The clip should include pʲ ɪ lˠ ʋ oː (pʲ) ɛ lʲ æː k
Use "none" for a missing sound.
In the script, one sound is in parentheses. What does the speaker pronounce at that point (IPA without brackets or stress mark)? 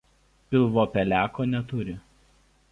pʲ